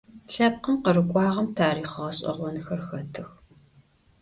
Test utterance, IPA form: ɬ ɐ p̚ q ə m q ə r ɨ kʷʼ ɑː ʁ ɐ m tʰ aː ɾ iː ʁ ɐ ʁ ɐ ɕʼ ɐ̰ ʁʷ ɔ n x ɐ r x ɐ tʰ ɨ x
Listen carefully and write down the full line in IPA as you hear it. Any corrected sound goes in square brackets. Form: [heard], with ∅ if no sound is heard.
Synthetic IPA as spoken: ɬ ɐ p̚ q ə m q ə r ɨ kʷʼ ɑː ʁ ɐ m tʰ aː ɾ iː [χ] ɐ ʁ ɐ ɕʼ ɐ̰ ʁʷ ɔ n x ɐ r x ɐ tʰ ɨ x